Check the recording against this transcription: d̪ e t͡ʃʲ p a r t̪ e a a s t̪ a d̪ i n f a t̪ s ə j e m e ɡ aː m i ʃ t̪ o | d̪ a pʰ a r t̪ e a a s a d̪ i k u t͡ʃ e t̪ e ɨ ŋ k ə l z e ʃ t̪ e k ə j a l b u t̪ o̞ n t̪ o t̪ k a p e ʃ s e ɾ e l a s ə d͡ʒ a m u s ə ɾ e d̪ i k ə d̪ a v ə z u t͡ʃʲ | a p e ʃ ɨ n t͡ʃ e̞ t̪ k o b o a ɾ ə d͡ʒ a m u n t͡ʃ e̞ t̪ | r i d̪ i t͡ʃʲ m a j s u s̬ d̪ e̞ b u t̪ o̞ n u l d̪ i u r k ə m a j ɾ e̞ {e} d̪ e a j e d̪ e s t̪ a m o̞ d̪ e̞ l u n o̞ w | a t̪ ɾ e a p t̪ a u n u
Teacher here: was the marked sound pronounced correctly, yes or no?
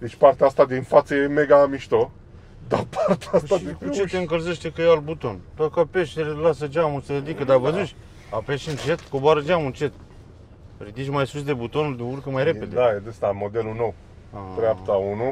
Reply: yes